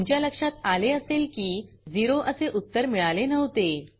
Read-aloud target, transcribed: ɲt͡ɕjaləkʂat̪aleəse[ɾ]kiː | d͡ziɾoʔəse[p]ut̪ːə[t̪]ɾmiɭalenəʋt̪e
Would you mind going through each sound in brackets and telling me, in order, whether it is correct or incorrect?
incorrect: l, incorrect: ʔ, incorrect: none

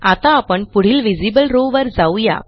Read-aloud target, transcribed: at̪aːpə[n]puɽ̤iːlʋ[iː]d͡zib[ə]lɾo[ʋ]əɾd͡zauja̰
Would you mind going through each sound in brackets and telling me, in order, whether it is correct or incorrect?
incorrect: ɳ, incorrect: i, correct, correct

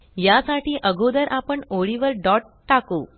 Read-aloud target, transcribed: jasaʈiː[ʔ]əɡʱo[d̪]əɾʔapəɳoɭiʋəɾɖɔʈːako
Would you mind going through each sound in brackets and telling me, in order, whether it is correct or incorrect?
correct, correct

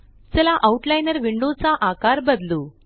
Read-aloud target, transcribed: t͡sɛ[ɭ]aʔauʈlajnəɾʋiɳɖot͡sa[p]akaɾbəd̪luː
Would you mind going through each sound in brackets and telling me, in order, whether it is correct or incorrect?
incorrect: l, incorrect: ʔ

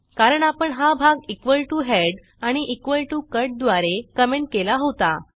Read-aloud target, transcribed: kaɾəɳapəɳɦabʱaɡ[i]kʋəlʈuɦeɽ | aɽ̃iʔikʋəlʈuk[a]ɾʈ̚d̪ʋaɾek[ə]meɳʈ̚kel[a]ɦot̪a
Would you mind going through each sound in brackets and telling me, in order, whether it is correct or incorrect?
correct, incorrect: ə, correct, correct

